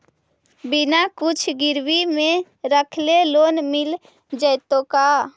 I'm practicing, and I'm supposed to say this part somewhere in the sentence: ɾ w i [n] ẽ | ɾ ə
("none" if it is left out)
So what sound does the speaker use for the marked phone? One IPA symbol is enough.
m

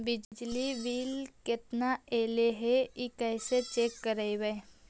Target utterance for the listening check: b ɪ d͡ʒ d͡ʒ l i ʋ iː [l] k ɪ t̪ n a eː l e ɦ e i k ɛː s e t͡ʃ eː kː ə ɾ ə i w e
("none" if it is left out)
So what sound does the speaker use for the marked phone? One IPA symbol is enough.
l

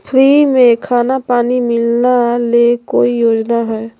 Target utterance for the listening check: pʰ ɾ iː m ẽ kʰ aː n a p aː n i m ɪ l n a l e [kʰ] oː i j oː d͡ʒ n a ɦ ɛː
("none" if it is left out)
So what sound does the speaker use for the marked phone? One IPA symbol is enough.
k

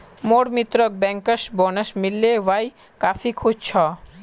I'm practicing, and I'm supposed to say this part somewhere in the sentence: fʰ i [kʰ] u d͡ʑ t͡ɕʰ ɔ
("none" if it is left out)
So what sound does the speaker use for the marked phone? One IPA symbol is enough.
kʰ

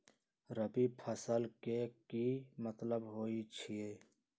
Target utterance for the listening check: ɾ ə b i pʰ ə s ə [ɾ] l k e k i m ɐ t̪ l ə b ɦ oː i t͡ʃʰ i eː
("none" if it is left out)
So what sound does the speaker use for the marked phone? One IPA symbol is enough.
none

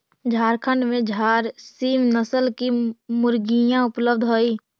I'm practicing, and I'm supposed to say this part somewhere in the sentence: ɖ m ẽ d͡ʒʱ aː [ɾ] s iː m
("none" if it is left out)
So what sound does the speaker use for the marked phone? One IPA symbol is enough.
ɾ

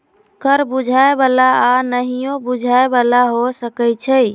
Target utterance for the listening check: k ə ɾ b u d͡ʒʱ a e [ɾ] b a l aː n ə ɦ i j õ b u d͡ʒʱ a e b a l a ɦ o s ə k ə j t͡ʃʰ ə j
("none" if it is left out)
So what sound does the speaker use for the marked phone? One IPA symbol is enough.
none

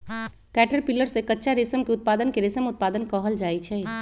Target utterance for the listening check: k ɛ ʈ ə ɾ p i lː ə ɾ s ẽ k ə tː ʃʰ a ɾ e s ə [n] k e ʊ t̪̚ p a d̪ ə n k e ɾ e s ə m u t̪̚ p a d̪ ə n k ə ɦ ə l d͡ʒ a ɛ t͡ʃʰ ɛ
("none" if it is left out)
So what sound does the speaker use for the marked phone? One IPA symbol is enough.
m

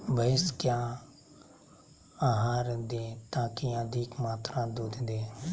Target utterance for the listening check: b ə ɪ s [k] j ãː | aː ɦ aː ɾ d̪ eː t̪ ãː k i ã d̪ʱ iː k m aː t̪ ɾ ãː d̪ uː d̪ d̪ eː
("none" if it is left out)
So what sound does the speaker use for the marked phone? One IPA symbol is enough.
k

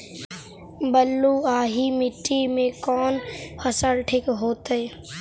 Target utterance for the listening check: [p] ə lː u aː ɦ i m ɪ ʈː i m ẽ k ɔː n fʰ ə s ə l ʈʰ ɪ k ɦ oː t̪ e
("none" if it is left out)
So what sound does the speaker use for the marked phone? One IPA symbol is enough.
b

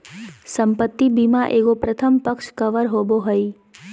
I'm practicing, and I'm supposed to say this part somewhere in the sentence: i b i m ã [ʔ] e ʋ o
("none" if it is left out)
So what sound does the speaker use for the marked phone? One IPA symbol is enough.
ʔ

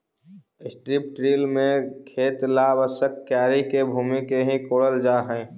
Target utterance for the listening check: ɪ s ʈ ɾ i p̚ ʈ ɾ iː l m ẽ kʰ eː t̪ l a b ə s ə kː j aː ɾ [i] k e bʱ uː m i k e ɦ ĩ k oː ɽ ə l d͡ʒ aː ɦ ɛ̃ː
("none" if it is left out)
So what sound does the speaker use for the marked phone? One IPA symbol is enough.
i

